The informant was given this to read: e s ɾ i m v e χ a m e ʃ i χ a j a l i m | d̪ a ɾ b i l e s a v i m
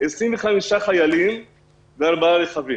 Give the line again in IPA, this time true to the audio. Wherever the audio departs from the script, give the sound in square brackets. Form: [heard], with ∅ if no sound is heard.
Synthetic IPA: e s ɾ i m v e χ a m [i] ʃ [a] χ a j a l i m | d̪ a ɾ b [a] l e [χ] a v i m